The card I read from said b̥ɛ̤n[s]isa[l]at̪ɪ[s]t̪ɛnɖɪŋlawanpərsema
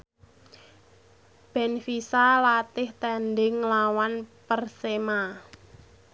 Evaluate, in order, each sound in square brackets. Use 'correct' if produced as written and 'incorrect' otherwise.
incorrect, correct, incorrect

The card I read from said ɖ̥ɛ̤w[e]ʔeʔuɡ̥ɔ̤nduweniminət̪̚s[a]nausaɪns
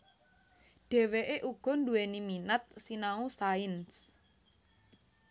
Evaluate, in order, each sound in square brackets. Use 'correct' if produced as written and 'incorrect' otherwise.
correct, incorrect

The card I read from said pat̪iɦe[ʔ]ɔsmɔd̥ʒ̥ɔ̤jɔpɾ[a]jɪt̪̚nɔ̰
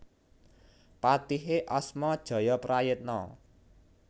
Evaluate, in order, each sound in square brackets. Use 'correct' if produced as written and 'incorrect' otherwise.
correct, correct

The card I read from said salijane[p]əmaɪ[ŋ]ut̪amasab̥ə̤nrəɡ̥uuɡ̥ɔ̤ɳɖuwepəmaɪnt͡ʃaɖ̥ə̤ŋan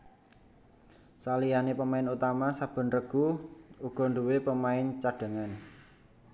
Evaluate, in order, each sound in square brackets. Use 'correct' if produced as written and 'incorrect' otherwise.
correct, incorrect

